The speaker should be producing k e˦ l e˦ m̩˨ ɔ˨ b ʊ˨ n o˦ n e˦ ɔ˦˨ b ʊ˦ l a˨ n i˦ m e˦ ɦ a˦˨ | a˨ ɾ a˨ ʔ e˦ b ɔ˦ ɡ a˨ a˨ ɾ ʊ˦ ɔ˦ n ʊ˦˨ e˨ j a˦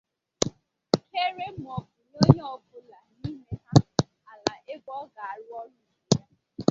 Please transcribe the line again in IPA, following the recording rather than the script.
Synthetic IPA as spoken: k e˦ ɾ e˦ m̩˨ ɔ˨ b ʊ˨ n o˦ ɲ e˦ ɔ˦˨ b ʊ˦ l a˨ n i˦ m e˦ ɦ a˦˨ | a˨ l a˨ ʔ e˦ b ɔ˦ ɡ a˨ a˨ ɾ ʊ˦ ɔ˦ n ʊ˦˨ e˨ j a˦